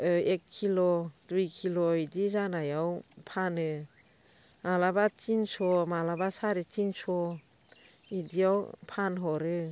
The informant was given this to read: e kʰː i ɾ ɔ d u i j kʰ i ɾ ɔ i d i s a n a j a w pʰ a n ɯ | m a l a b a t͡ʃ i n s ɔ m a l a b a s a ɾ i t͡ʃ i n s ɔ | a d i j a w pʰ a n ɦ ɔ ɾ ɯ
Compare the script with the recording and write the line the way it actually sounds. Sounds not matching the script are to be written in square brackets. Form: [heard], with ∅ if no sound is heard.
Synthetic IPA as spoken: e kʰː i [l] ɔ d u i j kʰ i [l] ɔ i d i [z] a n a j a w pʰ a n ɯ | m a l a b a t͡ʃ i n s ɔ m a l a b a s a ɾ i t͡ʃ i n s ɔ | [i] d i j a w pʰ a n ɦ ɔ ɾ ɯ